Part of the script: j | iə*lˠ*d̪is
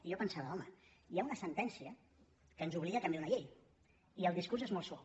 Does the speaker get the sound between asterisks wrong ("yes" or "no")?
no